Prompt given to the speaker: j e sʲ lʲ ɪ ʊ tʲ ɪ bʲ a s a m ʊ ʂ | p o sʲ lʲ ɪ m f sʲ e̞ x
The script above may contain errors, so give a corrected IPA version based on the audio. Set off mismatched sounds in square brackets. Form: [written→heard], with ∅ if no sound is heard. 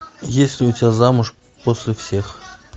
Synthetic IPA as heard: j e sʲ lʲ ɪ ʊ tʲ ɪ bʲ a [s→z] a m ʊ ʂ | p o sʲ lʲ ɪ [m→∅] f sʲ e̞ x